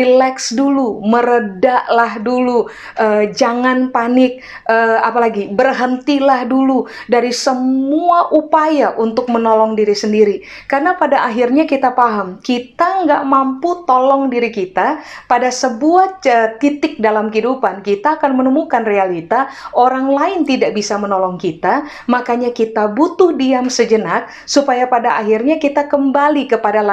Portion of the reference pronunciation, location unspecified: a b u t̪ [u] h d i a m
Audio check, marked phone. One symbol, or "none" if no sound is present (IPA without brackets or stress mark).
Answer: ʊ